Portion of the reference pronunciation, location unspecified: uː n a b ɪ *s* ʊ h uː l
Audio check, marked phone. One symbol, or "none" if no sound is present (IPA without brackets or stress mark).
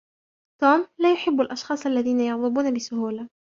s